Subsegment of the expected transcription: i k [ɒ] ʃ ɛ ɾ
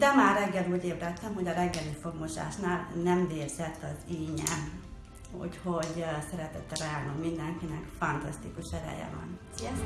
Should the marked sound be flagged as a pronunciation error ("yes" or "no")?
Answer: yes